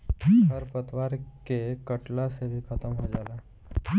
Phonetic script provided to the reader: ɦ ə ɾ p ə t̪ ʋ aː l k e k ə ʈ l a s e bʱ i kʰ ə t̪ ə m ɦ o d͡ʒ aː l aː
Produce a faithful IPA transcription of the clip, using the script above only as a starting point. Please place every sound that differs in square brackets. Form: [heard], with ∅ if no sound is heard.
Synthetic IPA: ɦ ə ɾ p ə t̪ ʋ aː [ɾ] k e k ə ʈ l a s e bʱ i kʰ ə t̪ ə m ɦ o d͡ʒ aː l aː

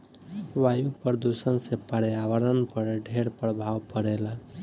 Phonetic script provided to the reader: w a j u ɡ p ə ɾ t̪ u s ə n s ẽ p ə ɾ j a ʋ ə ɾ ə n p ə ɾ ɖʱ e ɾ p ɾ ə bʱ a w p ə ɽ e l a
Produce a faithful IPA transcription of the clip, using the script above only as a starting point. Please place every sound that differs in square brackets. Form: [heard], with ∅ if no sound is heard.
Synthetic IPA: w a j u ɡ p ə ɾ [d̪] u s ə n s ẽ p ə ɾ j a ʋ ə ɾ ə n p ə ɾ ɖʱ e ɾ p ɾ ə bʱ a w p ə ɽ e l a

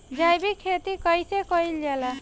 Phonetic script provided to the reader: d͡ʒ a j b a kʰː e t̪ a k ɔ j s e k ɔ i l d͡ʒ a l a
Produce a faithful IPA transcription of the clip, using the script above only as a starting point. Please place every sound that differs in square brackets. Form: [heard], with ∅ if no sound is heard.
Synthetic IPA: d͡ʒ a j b [i] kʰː e t̪ [i] k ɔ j s e k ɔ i l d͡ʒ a l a

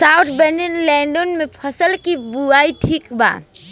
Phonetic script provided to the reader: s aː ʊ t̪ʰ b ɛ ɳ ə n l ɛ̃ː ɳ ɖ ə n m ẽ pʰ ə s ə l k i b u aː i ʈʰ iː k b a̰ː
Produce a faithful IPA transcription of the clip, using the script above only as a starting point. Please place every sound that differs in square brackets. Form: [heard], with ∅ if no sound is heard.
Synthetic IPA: s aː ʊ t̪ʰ b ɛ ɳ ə n l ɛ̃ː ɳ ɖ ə n m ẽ pʰ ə s ə l k i b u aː i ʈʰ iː k b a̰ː

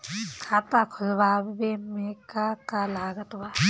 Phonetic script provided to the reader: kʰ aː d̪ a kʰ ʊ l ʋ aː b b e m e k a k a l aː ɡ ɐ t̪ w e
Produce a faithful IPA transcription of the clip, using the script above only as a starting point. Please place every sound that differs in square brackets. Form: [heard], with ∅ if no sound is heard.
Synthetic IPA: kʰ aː [t̪] a kʰ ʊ l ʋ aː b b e m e k a k a l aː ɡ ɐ t̪ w [a]

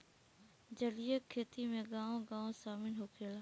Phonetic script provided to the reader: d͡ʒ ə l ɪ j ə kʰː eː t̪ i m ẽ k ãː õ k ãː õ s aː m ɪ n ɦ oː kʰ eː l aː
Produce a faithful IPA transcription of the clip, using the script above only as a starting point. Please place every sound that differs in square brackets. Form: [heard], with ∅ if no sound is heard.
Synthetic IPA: d͡ʒ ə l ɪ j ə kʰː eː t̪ i m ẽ [ɡ] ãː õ [ɡ] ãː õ s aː m ɪ n ɦ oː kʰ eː l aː

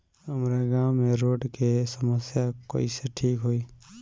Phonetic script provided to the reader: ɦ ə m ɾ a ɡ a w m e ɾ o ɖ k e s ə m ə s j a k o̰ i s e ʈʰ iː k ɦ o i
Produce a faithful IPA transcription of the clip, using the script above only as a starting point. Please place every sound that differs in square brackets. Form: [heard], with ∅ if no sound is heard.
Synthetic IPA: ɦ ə m ɾ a ɡ a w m e ɾ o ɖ k e s ə m ə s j a k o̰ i s e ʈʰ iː k ɦ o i

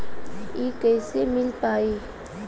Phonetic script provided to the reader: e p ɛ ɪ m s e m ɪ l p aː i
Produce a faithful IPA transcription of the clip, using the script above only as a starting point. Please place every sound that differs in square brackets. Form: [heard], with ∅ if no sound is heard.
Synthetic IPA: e [k] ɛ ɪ [∅] s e m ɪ l p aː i

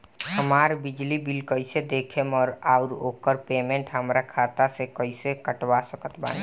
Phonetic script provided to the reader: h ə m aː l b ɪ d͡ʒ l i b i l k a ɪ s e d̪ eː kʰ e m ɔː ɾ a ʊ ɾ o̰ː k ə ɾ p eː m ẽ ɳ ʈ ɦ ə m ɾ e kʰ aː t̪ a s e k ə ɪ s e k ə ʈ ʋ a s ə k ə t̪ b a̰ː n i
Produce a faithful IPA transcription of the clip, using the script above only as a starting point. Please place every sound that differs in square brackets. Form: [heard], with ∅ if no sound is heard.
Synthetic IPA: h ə m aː [ɾ] b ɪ d͡ʒ l i b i l k [ə] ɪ s e d̪ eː kʰ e m ɔː ɾ a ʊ ɾ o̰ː k ə ɾ p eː m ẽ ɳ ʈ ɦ ə m ɾ [a] kʰ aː t̪ a s e k ə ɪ s e k ə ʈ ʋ a s ə k ə t̪ b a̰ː n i

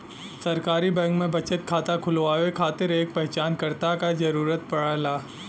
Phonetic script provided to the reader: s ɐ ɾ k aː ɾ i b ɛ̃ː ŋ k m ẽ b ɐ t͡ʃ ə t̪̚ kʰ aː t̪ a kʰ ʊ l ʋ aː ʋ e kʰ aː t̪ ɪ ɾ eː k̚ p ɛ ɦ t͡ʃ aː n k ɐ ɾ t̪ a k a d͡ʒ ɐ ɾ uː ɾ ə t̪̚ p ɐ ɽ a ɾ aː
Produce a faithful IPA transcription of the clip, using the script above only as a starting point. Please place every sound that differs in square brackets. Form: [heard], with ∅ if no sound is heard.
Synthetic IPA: s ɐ ɾ k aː ɾ i b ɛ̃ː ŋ k m ẽ b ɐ t͡ʃ ə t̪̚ kʰ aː t̪ a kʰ ʊ l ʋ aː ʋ e kʰ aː t̪ ɪ ɾ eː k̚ p ɛ ɦ t͡ʃ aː n k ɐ ɾ t̪ a k a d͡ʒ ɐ ɾ uː ɾ ə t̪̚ p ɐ ɽ a [l] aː

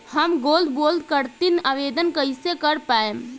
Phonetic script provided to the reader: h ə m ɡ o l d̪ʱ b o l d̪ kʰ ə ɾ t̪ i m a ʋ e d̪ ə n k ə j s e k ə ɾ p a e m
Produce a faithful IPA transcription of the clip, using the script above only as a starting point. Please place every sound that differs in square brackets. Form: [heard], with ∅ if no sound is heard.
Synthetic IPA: h ə m ɡ o l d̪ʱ b o l d̪ [k] ə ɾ t̪ i [n] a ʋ e d̪ ə n k ə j s e k ə ɾ p a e m

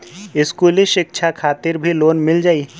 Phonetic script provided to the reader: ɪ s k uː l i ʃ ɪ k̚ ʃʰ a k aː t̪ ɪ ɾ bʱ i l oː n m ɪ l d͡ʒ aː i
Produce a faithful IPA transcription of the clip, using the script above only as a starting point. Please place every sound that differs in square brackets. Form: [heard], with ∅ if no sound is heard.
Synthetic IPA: ɪ s k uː l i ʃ ɪ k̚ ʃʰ a [kʰ] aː t̪ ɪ ɾ bʱ i l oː n m ɪ l d͡ʒ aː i

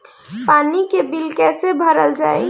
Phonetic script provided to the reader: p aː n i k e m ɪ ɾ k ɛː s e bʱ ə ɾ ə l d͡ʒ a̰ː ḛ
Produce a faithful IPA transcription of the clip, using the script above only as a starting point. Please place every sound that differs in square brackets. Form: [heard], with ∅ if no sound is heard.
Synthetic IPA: p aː n i k e [b] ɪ [l] k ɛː s e bʱ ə ɾ ə l d͡ʒ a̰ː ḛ

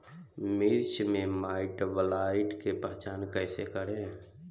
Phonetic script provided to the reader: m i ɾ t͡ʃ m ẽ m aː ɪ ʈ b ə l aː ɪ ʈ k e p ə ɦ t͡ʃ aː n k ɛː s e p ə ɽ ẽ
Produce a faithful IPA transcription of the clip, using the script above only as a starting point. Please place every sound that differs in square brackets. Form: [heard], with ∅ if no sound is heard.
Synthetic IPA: m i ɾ t͡ʃ m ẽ m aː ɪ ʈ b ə l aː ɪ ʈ k e p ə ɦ t͡ʃ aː n k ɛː s e [k] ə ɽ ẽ

